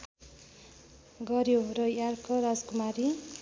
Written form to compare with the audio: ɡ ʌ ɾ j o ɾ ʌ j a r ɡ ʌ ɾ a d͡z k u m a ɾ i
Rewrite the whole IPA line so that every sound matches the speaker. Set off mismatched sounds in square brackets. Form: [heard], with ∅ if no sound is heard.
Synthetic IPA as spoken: ɡ ʌ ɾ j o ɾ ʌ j a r [k] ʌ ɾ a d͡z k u m a ɾ i